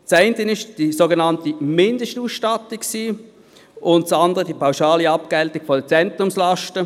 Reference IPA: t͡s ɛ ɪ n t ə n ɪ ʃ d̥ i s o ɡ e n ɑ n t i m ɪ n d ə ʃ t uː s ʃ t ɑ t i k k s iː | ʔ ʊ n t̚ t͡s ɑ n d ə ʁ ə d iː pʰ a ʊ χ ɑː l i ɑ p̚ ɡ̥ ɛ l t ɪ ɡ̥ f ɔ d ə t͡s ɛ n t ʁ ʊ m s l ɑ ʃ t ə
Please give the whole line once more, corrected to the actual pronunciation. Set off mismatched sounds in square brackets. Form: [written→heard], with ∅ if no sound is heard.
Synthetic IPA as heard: t͡s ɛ ɪ n t ə n ɪ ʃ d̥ i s o ɡ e n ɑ n t i m ɪ n d ə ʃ t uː s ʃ t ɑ t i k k s iː | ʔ ʊ n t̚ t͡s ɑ n d ə ʁ ə d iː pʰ a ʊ [χ→ʃ] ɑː l i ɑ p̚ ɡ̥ ɛ l t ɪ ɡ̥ f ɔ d ə t͡s ɛ n t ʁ ʊ m s l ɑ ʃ t ə